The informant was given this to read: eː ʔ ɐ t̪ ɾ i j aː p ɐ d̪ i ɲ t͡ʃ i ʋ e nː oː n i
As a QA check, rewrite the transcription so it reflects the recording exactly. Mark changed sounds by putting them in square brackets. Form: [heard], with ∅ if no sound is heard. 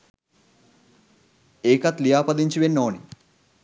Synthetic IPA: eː [k] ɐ t̪ [l] i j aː p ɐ d̪ i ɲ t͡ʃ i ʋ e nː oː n i